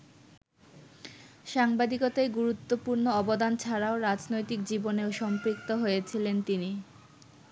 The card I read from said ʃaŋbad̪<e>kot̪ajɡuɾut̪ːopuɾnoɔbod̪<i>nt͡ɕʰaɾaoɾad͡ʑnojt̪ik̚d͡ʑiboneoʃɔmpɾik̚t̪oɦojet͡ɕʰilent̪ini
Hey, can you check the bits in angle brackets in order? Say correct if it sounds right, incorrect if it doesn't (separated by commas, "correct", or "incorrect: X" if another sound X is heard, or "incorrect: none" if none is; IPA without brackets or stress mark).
incorrect: i, incorrect: a